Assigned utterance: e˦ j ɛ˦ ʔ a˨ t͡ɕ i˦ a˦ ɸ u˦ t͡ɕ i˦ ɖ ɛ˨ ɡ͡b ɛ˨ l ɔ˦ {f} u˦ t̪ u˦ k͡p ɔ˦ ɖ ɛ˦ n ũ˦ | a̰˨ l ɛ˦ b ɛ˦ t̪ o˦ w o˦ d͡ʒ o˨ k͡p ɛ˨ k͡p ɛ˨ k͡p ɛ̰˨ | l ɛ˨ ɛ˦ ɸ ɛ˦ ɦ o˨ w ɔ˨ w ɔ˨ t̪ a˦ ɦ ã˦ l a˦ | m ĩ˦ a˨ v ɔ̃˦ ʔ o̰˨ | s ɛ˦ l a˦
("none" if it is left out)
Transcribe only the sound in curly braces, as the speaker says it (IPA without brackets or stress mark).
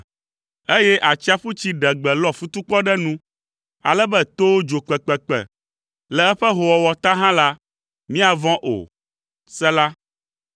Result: f